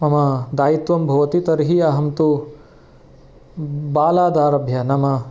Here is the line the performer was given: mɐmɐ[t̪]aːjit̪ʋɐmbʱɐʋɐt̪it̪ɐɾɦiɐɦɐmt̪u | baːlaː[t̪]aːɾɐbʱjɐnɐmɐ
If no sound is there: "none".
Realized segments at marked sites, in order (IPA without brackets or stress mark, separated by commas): d̪, d̪